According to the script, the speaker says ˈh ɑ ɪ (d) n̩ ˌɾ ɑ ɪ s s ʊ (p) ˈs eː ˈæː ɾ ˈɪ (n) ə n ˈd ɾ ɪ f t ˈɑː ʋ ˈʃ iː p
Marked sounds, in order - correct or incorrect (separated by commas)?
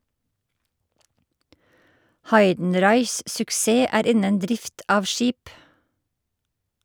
correct, incorrect, correct